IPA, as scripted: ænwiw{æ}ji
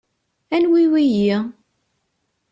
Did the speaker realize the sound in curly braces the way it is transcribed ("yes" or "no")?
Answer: no